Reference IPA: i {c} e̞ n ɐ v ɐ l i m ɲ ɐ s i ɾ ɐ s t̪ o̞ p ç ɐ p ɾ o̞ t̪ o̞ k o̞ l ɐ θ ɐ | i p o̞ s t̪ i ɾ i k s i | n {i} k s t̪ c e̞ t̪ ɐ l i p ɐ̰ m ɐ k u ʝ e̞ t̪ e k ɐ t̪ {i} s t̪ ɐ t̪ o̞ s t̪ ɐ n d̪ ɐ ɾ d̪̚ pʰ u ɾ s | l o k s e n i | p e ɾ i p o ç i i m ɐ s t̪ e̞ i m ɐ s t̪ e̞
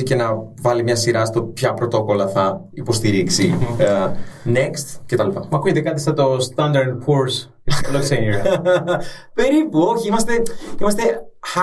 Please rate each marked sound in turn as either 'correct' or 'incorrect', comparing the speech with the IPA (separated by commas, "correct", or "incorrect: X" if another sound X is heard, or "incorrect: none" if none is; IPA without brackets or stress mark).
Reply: correct, incorrect: e, correct